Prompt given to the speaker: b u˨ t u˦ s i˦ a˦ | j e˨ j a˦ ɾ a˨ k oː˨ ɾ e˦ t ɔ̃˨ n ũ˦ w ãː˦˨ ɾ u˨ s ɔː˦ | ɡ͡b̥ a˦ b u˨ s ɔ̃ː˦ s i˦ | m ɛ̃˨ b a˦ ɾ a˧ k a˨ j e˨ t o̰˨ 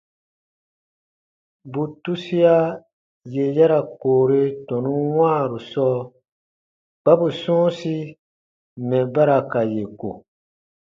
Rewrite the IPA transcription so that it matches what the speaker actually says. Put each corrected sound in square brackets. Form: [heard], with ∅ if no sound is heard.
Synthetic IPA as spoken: b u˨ t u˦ s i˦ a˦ | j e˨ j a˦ ɾ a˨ k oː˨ ɾ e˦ t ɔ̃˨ n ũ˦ w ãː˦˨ ɾ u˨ s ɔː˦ | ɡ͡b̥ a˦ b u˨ s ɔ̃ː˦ s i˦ | m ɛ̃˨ b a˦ ɾ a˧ k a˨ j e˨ [k] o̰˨